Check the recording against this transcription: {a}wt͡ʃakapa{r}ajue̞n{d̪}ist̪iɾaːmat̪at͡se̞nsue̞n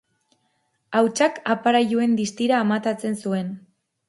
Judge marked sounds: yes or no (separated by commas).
yes, no, yes